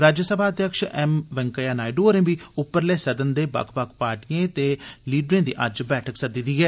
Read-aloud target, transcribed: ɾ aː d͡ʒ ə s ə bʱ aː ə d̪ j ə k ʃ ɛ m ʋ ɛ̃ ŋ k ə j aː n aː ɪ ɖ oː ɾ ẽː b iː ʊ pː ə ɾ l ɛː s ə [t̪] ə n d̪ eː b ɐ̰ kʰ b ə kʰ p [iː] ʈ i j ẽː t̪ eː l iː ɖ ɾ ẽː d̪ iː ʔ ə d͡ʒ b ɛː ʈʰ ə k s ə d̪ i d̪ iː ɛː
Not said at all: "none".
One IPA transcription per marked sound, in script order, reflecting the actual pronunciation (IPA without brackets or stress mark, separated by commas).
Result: d̪, aː